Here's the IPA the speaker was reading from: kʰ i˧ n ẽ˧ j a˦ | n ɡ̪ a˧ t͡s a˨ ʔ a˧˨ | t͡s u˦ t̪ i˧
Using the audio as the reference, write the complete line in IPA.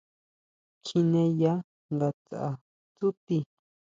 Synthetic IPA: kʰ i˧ n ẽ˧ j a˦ | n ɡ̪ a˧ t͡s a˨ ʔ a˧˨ | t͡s u˦ t̪ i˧